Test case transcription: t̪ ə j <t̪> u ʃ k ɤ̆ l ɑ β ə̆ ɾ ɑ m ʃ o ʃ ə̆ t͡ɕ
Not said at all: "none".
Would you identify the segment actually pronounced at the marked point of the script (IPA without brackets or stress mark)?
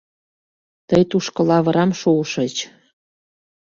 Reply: t̪